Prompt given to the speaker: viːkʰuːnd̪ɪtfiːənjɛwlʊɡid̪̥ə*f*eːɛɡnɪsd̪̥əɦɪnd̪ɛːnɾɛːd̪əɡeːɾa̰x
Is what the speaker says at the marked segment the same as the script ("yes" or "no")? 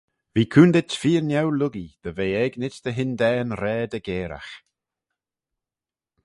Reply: no